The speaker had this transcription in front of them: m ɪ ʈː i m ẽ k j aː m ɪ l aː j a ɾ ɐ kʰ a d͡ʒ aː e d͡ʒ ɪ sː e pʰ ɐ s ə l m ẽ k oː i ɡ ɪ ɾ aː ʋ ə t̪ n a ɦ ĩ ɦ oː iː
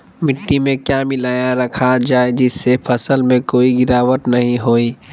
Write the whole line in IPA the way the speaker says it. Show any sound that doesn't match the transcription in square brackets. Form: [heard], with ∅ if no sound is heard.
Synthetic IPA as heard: m ɪ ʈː i m ẽ k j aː m ɪ l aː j a ɾ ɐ kʰ a d͡ʒ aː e d͡ʒ ɪ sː e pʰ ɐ s ə l m ẽ k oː i ɡ ɪ ɾ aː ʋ ə t̪ n [ɐ] ɦ ĩ ɦ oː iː